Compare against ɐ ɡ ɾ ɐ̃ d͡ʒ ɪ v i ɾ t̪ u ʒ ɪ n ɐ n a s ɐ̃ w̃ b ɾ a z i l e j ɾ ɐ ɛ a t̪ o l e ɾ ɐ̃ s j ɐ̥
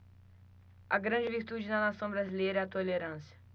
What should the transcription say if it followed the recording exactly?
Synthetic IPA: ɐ ɡ ɾ ɐ̃ d͡ʒ ɪ v i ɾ t̪ u d͡ʒ ɪ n ɐ n a s ɐ̃ w̃ b ɾ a z i l e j ɾ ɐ ɛ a t̪ o l e ɾ ɐ̃ s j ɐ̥